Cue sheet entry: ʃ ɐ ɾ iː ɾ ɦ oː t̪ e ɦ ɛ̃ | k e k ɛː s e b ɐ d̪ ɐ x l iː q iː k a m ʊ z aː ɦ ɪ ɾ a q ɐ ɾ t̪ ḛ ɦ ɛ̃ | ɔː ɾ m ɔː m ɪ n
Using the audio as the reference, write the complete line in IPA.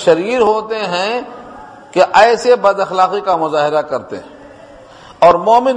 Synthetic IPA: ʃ ɐ ɾ iː ɾ ɦ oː t̪ e ɦ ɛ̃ | k e ʔ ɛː s e b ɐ d̪ ɐ x l aː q i k a m ʊ z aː ɦ ɪ ɾ a k ɐ ɾ t̪ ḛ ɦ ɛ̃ | ɔː ɾ m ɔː m ɪ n